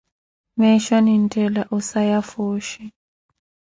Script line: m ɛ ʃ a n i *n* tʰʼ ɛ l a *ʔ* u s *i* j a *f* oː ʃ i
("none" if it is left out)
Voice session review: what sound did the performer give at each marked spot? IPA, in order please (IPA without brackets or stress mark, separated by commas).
n, ʔ, a, f